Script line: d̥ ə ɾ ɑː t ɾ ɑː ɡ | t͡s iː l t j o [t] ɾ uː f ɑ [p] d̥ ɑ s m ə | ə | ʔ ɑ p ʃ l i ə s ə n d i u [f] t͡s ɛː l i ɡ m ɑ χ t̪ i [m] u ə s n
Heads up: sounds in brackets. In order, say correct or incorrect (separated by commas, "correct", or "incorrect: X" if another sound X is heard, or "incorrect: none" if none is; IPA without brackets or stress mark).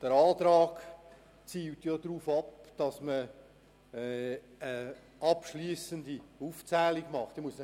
incorrect: d, correct, correct, correct